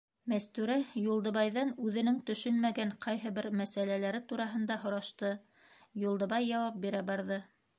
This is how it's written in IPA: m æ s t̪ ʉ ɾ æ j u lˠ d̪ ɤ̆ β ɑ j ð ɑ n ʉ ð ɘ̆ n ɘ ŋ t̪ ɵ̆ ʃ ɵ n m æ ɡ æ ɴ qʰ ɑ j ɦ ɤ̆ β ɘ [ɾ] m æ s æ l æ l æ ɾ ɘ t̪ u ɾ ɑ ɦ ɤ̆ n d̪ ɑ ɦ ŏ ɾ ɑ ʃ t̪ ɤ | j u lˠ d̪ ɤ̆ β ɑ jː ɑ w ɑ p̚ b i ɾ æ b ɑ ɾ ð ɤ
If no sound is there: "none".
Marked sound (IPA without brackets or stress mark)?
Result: ɾ